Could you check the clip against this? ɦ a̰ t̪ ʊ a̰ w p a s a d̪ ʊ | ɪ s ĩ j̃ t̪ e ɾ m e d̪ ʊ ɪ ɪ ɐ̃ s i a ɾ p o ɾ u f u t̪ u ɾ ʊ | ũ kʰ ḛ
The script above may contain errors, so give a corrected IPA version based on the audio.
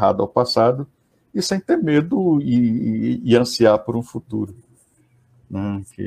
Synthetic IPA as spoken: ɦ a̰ d̪ ʊ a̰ w p a s a d̪ ʊ | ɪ s ẽ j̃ t̪ e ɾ m e d̪ ʊ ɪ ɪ ɐ̃ s i a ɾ p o ɾ ũ f u t̪ u ɾ ʊ | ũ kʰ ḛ